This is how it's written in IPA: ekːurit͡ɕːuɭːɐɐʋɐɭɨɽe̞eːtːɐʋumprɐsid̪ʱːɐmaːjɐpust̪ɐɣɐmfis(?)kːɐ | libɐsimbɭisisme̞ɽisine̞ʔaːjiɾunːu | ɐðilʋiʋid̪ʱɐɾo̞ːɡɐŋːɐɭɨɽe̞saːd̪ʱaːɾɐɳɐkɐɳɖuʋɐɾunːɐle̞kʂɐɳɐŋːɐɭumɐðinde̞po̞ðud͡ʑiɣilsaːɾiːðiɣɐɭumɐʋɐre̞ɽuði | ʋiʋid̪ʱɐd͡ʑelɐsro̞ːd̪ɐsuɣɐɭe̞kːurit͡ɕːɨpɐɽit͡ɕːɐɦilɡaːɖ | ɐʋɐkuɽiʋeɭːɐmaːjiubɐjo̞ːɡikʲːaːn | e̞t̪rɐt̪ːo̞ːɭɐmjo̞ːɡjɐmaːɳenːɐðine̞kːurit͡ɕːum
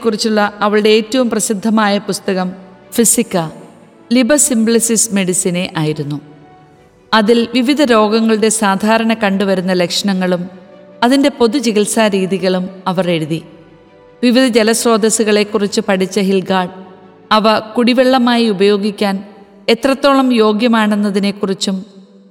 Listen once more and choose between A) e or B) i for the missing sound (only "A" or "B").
B